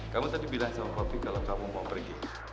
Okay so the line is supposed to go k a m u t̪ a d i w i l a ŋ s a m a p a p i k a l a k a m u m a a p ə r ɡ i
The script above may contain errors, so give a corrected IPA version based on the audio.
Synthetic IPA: k a m u t̪ a d i b i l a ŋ s a m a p a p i k a l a k a m u m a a p ə r ɡ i